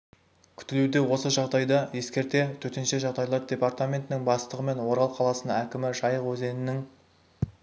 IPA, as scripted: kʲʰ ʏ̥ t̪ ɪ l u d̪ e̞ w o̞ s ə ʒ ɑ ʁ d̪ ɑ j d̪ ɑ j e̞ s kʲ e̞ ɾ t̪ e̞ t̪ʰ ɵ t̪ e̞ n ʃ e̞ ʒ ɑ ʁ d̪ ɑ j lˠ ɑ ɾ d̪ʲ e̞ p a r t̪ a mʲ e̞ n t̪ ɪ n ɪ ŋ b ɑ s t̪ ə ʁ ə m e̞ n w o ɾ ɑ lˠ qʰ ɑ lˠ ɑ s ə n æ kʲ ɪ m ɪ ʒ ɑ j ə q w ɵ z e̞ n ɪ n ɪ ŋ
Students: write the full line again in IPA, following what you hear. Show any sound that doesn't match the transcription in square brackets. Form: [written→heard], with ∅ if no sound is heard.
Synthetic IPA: kʲʰ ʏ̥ t̪ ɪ l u d̪ e̞ w o̞ s ə ʒ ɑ ʁ d̪ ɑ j d̪ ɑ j e̞ s kʲ e̞ ɾ t̪ e̞ t̪ʰ ɵ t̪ e̞ n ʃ e̞ ʒ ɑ ʁ d̪ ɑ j lˠ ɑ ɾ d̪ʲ e̞ p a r t̪ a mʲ e̞ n t̪ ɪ n ɪ ŋ b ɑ s t̪ ə ʁ ə m e̞ n w o ɾ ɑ lˠ qʰ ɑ lˠ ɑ s ə n æ kʲ ɪ m ɪ ʒ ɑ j ə q w ɵ z e̞ n ɪ n ɪ ŋ

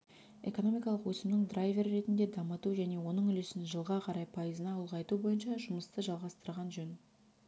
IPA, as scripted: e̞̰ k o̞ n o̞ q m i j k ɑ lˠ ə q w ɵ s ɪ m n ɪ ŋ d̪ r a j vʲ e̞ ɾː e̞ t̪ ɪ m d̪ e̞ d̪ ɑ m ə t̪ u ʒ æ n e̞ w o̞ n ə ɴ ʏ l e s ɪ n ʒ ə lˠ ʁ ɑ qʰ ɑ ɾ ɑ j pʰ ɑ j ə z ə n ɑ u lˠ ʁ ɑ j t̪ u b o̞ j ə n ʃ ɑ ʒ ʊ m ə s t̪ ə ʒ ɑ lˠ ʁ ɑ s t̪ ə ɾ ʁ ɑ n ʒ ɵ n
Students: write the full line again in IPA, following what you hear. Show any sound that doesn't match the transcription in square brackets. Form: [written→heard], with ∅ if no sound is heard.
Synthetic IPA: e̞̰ k o̞ n o̞ [q→∅] m i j k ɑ lˠ ə q w ɵ s ɪ m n ɪ ŋ d̪ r a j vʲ e̞ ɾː e̞ t̪ ɪ [m→n] d̪ e̞ d̪ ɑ m ə t̪ u ʒ æ n e̞ w o̞ n ə ɴ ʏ l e s ɪ n ʒ ə lˠ ʁ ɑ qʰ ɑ ɾ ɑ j pʰ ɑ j ə z ə n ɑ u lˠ ʁ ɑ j t̪ u b o̞ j ə n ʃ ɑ ʒ ʊ m ə s t̪ ə ʒ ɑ lˠ ʁ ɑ s t̪ ə ɾ ʁ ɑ n ʒ ɵ n

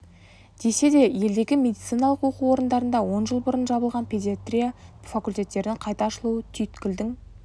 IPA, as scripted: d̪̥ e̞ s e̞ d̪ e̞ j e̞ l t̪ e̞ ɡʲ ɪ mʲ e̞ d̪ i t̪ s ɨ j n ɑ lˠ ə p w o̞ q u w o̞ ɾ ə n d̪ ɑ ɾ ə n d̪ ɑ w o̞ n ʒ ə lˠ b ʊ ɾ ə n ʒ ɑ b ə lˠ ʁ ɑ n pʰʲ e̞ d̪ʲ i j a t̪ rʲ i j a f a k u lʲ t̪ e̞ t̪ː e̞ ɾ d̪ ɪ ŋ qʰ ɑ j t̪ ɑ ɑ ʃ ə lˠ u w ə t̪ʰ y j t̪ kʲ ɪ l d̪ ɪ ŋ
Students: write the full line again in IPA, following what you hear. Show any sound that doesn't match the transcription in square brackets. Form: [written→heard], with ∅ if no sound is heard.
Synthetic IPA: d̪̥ e̞ s e̞ d̪ e̞ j e̞ l [t̪→d̪] e̞ ɡʲ ɪ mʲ e̞ d̪ i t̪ s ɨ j n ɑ lˠ ə [p→q] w o̞ q u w o̞ ɾ ə n d̪ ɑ ɾ ə n d̪ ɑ w o̞ n ʒ ə lˠ b ʊ ɾ ə n ʒ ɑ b ə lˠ ʁ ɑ n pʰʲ e̞ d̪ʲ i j a t̪ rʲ i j a f a k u lʲ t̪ e̞ t̪ː e̞ ɾ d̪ ɪ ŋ qʰ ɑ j t̪ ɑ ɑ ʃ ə lˠ u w ə t̪ʰ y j t̪ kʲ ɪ l d̪ ɪ ŋ

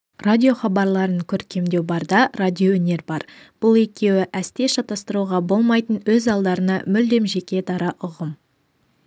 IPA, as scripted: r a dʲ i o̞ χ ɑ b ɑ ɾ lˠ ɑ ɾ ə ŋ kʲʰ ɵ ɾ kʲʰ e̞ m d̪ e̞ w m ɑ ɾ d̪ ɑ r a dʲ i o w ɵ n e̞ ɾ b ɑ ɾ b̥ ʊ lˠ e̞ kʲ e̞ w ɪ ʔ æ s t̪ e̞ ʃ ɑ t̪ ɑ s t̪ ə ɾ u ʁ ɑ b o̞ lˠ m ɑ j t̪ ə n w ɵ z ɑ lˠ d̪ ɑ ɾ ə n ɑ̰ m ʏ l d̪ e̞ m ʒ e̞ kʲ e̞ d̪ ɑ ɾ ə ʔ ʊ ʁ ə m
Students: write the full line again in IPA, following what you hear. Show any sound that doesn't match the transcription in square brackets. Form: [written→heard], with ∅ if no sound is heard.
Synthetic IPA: r a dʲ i o̞ χ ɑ b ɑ ɾ lˠ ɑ ɾ ə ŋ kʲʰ ɵ ɾ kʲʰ e̞ m d̪ e̞ w [m→b] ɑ ɾ d̪ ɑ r a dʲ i o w ɵ n e̞ ɾ b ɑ ɾ b̥ ʊ lˠ e̞ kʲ e̞ w ɪ ʔ æ s t̪ e̞ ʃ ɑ t̪ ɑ s t̪ ə ɾ u ʁ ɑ b o̞ lˠ m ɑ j t̪ ə n w ɵ z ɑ lˠ d̪ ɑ ɾ ə n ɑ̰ m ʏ l d̪ e̞ m ʒ e̞ kʲ e̞ d̪ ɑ ɾ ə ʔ ʊ ʁ ə m

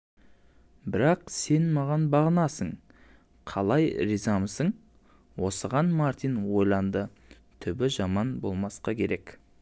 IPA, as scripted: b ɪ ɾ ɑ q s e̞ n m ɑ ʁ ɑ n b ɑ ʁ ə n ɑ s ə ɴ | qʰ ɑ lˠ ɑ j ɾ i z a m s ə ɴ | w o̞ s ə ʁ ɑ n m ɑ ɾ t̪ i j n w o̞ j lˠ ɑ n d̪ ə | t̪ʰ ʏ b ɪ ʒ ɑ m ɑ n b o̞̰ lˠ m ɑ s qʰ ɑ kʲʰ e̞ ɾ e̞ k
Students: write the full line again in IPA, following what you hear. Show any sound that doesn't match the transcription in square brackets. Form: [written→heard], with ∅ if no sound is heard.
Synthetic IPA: b ɪ ɾ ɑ q s e̞ n m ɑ ʁ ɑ n b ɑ ʁ ə n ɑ s ə ɴ | qʰ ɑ lˠ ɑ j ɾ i z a m s ə ɴ | w o̞ s ə ʁ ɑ n m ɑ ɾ t̪ i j n w o̞ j lˠ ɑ n d̪ ə | t̪ʰ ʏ b ɪ ʒ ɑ m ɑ n b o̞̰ lˠ m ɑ s [qʰ→q] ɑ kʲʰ e̞ ɾ e̞ k

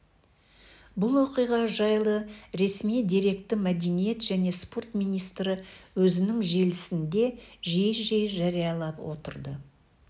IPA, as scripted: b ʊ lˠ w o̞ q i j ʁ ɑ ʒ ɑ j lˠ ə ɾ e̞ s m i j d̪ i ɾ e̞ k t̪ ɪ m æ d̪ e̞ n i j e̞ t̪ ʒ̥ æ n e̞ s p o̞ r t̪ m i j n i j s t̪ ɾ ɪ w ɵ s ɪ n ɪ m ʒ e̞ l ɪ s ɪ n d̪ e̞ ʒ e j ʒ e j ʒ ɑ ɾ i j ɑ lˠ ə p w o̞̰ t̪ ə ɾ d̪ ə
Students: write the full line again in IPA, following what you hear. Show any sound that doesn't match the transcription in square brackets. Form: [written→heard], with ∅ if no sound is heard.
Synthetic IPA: b ʊ lˠ w o̞ q i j ʁ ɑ ʒ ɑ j lˠ ə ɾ e̞ s m i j d̪ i ɾ e̞ k t̪ ɪ m æ d̪ e̞ n i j e̞ t̪ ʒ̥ æ n e̞ s p o̞ r t̪ m i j n i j s t̪ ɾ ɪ w ɵ [s→z] ɪ n ɪ [m→ŋ] ʒ e̞ l ɪ s ɪ n d̪ e̞ ʒ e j ʒ e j ʒ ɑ ɾ i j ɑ lˠ [ə→ɑ] p w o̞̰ t̪ ə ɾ d̪ ə

